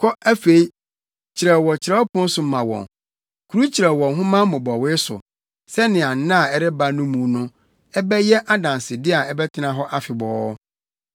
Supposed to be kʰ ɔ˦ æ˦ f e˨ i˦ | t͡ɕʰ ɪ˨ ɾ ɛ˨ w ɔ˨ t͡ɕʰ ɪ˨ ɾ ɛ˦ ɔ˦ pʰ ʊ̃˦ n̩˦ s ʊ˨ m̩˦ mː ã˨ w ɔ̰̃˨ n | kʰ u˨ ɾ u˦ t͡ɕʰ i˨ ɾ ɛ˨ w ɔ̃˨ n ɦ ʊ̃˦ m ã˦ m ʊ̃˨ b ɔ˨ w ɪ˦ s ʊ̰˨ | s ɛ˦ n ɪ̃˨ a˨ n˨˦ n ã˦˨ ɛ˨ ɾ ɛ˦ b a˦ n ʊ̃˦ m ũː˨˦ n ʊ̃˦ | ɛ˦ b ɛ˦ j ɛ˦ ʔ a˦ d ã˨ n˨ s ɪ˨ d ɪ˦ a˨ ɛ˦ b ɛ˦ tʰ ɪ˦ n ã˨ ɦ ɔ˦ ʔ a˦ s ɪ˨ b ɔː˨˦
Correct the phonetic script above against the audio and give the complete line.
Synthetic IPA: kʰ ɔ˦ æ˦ f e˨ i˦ | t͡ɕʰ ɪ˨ ɾ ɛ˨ w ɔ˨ t͡ɕʰ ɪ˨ ɾ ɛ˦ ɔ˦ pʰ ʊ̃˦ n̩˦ s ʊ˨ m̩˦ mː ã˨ w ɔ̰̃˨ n | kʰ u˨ ɾ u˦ t͡ɕʰ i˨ ɾ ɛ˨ w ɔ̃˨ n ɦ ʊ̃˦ m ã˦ m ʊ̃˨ b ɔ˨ w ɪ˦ s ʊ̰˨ | s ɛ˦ n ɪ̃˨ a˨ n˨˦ n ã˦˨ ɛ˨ ɾ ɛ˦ b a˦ n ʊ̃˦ m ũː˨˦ n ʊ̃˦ | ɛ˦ b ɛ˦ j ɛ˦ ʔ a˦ d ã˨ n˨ s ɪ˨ d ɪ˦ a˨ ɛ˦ b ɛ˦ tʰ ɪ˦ n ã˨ ɦ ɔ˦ ʔ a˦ f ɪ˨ b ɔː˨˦